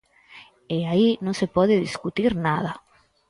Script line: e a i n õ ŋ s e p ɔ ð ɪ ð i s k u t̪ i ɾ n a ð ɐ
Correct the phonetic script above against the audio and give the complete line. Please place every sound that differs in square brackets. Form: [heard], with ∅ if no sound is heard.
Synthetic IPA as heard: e a i n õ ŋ s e p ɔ ð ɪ ð i s k u t̪ i ɾ n a ð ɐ